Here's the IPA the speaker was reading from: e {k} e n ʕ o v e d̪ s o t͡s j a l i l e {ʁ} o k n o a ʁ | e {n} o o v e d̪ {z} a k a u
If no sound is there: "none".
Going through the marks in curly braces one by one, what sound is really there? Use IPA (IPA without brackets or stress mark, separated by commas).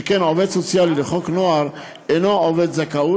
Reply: k, χ, n, z